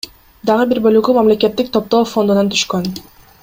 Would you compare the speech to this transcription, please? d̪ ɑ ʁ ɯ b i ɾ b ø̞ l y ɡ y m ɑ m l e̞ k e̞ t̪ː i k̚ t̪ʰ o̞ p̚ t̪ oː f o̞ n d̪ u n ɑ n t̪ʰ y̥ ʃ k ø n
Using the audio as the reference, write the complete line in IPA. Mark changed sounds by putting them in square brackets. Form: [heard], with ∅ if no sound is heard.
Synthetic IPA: d̪ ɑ ʁ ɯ b i ɾ b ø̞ l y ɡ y m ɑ m l e̞ k e̞ t̪ː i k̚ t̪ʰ o̞ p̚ t̪ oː f o̞ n d̪ u n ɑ n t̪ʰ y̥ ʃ k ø n